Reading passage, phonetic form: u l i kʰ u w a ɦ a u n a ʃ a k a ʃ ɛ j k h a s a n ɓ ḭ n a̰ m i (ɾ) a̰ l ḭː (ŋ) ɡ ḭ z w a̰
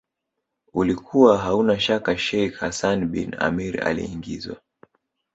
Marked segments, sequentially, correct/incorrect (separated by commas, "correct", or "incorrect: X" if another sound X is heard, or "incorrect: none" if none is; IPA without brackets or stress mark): correct, correct